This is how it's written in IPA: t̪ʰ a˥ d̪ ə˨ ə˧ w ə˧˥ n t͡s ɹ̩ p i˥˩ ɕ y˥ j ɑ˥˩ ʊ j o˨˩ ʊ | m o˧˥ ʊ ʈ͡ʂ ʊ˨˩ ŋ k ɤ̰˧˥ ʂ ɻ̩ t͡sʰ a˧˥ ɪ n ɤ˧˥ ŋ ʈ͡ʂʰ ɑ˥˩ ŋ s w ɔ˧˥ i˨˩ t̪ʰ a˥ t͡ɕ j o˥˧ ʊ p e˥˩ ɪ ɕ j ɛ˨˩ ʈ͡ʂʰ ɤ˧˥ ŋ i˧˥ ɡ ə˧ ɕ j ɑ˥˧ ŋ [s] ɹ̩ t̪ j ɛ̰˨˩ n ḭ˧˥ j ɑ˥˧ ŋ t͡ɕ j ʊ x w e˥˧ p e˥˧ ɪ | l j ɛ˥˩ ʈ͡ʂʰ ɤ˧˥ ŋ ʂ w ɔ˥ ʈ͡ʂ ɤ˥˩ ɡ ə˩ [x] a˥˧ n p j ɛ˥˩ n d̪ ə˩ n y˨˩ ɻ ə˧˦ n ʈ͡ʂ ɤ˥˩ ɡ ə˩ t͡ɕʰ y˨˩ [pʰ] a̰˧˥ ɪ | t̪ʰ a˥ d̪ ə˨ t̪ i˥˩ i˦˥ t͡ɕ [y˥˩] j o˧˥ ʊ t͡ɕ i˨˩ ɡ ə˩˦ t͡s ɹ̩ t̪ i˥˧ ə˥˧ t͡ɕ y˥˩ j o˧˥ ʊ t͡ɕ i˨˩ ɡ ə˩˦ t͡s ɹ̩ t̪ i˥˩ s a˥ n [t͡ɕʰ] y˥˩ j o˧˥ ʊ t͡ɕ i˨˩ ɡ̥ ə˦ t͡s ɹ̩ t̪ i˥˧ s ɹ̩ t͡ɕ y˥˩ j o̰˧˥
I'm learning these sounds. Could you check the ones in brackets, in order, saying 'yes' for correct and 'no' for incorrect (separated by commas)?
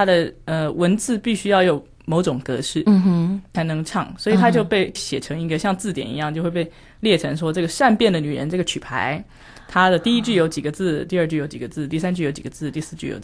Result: no, no, yes, yes, no